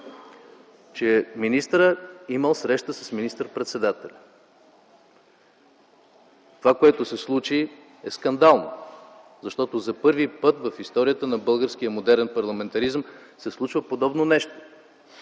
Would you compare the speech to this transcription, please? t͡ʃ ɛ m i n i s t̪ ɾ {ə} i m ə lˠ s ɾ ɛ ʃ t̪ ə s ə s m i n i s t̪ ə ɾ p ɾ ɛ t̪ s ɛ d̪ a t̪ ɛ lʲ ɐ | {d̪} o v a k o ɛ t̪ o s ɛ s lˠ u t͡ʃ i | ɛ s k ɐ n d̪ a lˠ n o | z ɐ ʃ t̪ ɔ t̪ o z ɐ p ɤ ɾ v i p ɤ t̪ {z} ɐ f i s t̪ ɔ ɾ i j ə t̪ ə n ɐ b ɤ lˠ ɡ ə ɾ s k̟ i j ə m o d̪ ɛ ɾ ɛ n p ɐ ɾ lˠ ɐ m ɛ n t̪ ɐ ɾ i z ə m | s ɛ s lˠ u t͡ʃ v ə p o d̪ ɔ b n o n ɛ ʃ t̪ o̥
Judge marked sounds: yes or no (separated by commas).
yes, no, no